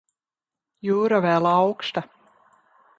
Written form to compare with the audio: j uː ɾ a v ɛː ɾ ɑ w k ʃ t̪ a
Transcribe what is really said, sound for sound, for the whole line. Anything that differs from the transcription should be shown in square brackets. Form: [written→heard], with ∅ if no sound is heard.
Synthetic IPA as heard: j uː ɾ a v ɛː [ɾ→l] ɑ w k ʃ t̪ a